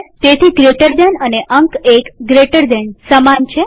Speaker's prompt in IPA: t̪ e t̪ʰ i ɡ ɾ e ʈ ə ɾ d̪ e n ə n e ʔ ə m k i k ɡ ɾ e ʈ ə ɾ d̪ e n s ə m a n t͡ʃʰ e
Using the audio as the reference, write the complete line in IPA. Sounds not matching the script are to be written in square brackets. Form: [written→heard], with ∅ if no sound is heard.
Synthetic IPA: t̪ e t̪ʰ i ɡ ɾ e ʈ ə ɾ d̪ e n ə n e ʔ ə [m→ŋ] k [i→e] k ɡ ɾ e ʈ ə ɾ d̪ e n s ə m a n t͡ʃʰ e